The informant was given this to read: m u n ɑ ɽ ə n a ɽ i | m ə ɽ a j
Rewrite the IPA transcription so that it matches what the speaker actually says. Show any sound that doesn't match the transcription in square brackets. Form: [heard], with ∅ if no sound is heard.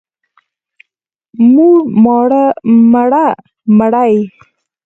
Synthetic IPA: m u [m] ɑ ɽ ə [m] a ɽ [a] | m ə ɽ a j